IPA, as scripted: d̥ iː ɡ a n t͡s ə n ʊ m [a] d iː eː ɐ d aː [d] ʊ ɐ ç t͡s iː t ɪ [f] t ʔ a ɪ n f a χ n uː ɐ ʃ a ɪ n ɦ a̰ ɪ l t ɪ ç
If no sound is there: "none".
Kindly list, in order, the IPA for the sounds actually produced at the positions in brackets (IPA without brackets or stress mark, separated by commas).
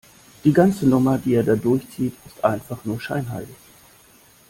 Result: ɐ, d, s